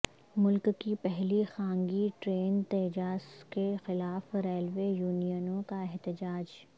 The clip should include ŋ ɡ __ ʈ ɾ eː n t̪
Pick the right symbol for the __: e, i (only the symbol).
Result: i